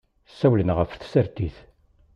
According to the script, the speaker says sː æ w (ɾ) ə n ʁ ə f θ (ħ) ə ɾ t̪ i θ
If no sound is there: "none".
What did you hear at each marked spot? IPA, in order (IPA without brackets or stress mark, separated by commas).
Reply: l, s